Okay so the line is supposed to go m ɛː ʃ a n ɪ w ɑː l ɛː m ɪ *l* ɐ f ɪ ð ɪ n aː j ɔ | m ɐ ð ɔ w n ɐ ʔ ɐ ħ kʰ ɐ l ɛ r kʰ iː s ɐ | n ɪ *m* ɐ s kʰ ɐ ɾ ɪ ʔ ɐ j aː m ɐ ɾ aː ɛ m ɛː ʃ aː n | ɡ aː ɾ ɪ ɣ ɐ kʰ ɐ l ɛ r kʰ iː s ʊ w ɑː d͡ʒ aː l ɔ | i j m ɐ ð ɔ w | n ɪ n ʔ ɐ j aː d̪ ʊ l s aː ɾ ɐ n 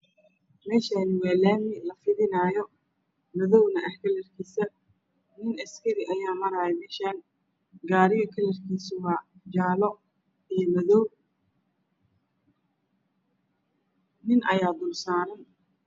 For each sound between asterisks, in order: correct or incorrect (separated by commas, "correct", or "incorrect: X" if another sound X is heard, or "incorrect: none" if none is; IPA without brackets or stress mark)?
correct, incorrect: n